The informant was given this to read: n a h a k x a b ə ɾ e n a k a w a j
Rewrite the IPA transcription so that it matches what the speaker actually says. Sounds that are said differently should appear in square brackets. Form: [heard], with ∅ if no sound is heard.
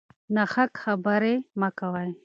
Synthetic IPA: n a [x] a k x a b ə ɾ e [m] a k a w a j